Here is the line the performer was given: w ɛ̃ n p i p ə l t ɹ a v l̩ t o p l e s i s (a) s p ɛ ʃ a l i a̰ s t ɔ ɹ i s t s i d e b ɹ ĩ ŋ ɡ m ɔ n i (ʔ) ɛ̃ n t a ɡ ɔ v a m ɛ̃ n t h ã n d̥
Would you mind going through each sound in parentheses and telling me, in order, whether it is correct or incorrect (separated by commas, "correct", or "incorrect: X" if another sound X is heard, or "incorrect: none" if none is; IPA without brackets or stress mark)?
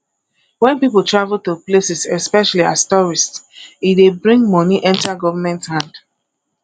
incorrect: ɛ, correct